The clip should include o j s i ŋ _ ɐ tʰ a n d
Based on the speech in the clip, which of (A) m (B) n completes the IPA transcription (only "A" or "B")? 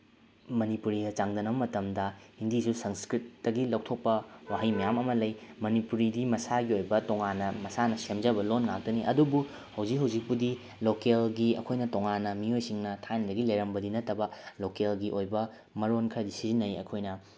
B